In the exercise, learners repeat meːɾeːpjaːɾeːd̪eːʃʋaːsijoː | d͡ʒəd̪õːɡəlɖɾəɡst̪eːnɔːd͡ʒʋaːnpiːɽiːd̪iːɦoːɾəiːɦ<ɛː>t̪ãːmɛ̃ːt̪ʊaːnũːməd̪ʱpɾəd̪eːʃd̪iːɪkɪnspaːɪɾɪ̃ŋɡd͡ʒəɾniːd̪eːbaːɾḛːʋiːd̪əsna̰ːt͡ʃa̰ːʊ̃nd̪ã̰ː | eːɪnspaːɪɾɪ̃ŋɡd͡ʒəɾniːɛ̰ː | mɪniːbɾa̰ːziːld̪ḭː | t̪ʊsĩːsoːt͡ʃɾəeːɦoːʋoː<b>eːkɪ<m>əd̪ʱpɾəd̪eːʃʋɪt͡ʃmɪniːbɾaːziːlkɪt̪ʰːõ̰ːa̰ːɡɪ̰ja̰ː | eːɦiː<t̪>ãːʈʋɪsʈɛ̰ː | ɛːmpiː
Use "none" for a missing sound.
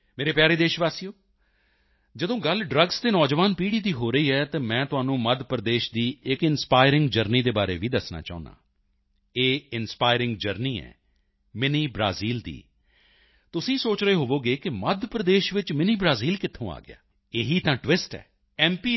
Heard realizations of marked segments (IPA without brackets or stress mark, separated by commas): ɛː, ɡ, m, t̪